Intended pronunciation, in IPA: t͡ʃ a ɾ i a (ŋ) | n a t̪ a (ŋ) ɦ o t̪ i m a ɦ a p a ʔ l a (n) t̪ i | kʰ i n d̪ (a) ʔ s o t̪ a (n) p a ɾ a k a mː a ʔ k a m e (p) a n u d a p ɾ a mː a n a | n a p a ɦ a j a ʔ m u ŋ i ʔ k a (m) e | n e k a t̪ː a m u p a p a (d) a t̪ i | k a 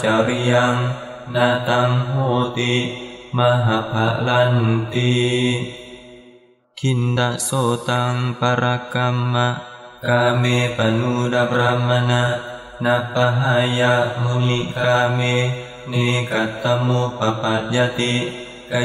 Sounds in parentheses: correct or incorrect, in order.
correct, correct, correct, correct, incorrect: ŋ, correct, correct, incorrect: d͡ʒ

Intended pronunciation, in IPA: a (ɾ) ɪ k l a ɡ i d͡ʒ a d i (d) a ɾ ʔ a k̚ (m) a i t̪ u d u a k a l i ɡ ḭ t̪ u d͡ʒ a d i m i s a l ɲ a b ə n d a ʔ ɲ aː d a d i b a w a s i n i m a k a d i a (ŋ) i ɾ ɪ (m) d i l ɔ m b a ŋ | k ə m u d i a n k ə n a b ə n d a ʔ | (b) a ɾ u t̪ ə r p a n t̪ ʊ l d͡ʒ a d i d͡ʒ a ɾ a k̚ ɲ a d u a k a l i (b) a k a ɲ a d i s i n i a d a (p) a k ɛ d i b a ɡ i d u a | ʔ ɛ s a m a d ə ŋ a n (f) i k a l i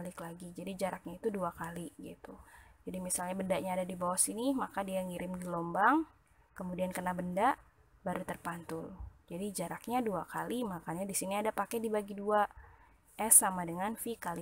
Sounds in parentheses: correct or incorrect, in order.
incorrect: l, incorrect: d͡ʒ, incorrect: ɲ, correct, correct, correct, incorrect: m, correct, correct

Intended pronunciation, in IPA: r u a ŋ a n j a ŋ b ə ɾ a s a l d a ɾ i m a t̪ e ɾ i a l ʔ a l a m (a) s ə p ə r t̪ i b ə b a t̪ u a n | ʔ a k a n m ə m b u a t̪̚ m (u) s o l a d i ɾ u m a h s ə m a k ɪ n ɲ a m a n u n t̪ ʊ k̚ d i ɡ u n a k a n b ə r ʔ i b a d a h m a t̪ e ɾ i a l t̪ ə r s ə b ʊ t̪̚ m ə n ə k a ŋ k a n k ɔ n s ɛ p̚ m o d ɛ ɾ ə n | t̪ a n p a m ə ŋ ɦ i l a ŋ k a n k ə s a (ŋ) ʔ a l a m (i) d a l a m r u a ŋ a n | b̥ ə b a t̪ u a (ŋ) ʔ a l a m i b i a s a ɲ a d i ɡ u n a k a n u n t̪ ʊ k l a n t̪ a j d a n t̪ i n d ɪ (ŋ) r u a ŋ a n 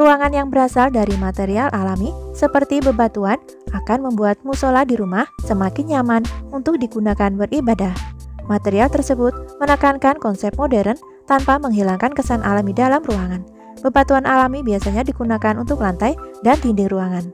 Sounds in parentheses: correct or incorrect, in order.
incorrect: i, correct, incorrect: n, correct, incorrect: n, correct

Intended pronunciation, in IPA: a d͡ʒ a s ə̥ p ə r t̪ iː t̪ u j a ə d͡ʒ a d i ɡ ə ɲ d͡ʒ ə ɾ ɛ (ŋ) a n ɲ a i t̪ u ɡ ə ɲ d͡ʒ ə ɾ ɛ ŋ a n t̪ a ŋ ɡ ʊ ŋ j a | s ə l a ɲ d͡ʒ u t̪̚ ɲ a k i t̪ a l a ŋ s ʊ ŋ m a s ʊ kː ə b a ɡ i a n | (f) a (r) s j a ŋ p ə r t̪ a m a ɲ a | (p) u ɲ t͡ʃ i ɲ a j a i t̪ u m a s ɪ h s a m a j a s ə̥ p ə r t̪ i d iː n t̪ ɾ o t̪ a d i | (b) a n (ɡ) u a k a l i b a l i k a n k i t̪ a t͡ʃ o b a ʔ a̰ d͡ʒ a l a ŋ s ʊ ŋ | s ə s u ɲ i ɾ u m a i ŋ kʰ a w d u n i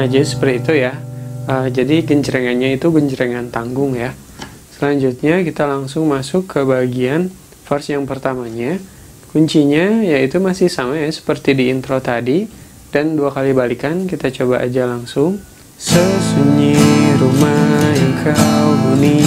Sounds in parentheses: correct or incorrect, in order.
correct, correct, correct, incorrect: k, incorrect: d, incorrect: d

